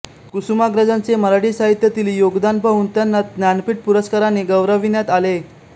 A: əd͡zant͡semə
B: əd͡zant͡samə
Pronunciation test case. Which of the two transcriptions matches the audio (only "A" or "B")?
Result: A